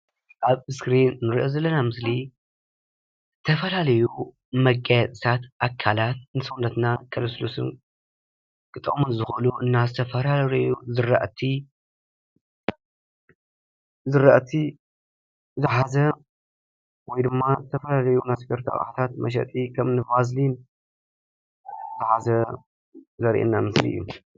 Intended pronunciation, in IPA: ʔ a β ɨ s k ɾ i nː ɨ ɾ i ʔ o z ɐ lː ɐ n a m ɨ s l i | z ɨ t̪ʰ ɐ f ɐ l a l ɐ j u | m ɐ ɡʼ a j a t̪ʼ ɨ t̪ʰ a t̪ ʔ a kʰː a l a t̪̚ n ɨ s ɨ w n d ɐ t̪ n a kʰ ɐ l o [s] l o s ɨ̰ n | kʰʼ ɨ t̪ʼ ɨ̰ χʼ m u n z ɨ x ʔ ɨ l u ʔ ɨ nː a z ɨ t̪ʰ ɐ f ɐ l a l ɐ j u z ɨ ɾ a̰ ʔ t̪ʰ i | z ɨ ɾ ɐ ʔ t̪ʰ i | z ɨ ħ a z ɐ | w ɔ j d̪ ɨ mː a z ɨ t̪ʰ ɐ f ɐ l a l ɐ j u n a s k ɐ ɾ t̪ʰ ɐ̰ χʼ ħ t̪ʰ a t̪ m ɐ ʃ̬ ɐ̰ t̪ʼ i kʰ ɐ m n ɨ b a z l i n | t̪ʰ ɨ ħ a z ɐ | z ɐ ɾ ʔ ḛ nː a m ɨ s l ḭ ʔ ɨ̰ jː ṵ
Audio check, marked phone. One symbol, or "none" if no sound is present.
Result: s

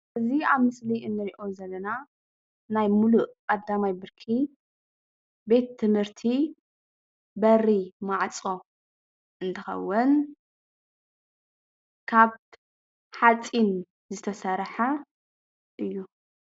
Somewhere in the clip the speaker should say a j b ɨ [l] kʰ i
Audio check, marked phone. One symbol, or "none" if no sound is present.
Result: ɾ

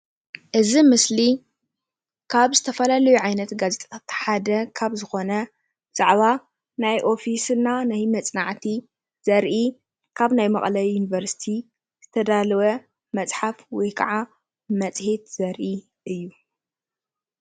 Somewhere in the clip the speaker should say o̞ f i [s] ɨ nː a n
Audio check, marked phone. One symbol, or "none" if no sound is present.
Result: s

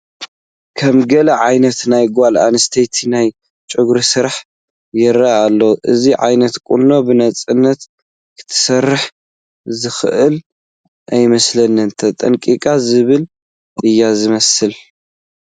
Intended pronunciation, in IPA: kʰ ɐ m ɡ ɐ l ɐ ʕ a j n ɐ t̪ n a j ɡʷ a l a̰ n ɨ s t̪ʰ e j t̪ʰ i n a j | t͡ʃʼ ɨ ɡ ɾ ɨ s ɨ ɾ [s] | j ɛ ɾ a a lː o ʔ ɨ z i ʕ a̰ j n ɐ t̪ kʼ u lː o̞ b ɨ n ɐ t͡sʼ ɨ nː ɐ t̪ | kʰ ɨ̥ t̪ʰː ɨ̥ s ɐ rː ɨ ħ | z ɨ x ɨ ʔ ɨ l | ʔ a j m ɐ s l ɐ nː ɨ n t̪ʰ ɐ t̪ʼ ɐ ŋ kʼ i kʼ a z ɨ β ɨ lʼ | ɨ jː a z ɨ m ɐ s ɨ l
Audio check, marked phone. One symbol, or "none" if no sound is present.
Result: ħ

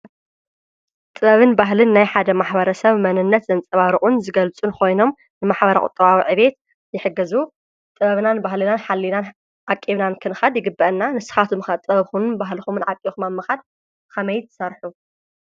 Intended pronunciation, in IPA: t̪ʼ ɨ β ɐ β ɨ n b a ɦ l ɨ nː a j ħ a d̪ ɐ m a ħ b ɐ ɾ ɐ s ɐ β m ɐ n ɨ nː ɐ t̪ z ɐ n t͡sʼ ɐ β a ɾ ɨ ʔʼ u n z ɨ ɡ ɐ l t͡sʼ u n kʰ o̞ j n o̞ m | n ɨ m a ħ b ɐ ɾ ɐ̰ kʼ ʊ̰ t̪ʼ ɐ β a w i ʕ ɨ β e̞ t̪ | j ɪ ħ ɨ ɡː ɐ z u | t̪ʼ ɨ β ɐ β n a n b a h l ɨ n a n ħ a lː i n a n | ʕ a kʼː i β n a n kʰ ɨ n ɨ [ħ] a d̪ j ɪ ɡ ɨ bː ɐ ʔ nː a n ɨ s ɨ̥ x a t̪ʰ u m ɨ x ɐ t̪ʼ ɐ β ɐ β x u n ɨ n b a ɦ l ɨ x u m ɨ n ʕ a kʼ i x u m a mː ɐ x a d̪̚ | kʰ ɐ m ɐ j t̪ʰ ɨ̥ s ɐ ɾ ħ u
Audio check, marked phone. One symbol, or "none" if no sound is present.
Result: x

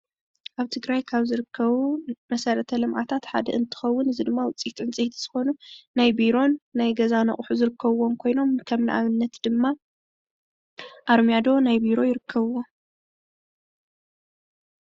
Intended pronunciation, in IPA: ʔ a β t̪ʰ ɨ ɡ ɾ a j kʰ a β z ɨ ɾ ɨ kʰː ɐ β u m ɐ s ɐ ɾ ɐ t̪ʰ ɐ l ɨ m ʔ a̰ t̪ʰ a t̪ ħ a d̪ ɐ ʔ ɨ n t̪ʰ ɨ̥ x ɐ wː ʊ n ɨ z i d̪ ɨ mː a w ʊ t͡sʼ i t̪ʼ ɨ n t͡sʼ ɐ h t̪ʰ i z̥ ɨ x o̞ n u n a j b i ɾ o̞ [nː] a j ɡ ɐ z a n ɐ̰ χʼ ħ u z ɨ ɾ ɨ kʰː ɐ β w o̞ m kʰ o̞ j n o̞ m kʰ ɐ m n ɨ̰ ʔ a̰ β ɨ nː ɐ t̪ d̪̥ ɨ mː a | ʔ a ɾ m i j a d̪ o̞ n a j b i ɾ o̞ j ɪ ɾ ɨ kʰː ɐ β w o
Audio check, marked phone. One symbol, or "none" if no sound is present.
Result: nː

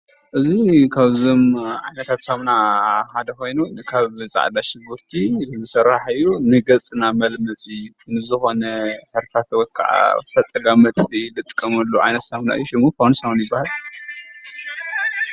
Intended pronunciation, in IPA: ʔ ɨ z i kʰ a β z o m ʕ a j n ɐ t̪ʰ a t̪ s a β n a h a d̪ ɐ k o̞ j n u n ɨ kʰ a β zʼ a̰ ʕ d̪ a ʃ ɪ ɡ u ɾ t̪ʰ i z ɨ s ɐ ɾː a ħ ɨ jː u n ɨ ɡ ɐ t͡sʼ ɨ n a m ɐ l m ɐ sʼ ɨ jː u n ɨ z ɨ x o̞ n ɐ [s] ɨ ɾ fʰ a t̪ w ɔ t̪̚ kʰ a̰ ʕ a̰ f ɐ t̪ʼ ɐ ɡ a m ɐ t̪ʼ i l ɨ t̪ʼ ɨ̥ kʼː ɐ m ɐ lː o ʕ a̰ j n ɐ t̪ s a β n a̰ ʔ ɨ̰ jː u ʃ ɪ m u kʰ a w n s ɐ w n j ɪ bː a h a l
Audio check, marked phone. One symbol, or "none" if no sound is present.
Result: ħ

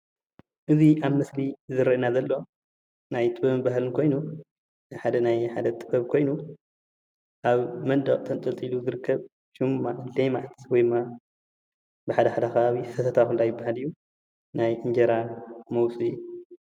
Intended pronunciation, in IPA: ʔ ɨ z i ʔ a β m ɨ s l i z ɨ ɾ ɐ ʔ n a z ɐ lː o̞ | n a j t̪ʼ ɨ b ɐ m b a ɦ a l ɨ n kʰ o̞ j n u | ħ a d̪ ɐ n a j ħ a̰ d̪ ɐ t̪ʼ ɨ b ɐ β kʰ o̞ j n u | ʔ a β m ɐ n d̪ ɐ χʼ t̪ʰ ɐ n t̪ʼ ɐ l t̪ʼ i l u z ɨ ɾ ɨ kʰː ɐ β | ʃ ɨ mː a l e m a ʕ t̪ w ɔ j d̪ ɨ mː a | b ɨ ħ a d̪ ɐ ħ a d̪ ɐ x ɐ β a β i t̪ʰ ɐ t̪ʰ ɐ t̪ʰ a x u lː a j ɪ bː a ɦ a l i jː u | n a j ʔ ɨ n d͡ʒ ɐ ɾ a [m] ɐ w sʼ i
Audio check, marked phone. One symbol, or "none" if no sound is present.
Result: m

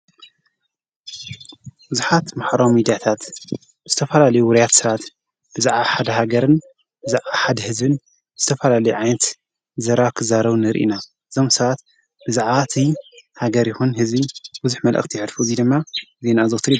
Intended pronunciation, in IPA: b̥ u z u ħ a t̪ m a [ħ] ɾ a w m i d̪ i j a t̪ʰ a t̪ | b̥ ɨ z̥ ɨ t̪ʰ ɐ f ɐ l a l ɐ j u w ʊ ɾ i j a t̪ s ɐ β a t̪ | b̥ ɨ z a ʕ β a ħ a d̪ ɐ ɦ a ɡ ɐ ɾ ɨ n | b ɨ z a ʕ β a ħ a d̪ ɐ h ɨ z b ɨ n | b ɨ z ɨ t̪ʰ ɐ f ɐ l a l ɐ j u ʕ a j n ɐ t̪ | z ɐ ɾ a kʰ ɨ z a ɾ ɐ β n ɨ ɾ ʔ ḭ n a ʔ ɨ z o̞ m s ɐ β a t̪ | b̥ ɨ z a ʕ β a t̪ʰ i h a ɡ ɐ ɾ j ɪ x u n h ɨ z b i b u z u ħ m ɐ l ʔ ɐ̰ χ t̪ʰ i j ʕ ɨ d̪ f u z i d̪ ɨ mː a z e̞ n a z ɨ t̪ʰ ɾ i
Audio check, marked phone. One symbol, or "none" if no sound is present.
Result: ħ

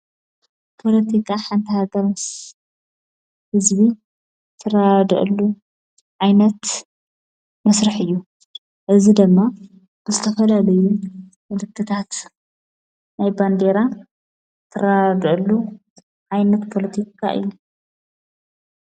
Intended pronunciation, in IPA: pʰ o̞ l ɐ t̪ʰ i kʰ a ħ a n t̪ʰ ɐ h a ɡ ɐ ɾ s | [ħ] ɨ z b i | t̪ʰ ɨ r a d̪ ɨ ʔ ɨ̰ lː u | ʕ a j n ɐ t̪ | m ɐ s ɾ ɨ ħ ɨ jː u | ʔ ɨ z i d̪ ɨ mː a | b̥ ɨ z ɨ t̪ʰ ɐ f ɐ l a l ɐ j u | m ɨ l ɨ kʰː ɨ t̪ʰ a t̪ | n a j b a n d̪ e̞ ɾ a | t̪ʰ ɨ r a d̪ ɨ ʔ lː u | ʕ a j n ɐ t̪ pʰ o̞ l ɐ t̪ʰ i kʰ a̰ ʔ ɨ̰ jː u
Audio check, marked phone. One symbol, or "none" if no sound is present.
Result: h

